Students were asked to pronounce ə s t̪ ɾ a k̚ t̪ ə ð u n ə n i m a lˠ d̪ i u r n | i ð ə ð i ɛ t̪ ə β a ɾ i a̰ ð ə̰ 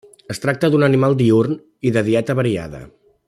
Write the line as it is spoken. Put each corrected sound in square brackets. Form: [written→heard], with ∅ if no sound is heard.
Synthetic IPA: ə s t̪ ɾ a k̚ t̪ ə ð u n ə n i m a lˠ d̪ i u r n | i ð ə ð i ɛ t̪ ə β [a→ə] ɾ i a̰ ð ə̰